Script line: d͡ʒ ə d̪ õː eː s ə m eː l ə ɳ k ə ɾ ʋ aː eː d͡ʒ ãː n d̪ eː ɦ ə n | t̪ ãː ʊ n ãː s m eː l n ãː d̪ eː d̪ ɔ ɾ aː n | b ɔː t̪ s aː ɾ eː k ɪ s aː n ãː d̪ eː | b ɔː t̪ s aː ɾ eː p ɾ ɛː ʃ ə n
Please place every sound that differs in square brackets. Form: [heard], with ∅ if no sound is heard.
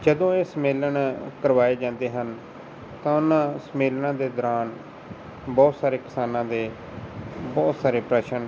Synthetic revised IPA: d͡ʒ ə d̪ õː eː s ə m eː l ə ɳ k ə ɾ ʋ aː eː d͡ʒ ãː n d̪ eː ɦ ə n | t̪ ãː ʊ n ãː s m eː l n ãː d̪ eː d̪ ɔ ɾ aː n | b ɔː t̪ s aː ɾ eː k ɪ s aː n ãː d̪ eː | b ɔː t̪ s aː ɾ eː p ɾ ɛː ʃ ə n